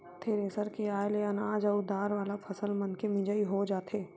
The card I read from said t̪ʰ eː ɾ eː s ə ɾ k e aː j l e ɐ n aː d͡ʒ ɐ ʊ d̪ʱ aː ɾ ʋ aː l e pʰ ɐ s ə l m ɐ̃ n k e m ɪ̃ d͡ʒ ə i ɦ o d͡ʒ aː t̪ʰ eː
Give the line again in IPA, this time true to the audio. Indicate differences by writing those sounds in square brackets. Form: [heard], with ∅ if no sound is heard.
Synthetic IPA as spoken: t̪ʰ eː ɾ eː s ə ɾ k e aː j l e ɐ n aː d͡ʒ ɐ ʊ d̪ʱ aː ɾ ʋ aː l [a] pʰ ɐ s ə l m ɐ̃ n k e m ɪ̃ d͡ʒ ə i ɦ o d͡ʒ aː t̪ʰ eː

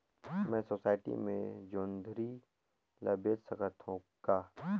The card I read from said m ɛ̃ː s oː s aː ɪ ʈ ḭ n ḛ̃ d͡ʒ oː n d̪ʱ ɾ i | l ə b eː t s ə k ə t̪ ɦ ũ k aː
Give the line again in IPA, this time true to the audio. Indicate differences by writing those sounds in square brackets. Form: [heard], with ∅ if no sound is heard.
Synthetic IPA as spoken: m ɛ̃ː s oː s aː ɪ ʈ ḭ [m] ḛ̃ d͡ʒ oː n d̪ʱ ɾ i | l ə b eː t s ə k ə t̪ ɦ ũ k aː

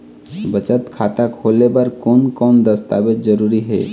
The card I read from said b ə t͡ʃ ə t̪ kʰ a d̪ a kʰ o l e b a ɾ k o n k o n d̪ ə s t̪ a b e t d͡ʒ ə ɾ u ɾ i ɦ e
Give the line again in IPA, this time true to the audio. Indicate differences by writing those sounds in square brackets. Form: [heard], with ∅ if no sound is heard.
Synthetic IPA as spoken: b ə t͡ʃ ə t̪ kʰ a [t̪] a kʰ o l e b a ɾ k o n k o n d̪ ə s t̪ a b e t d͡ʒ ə ɾ u ɾ i ɦ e

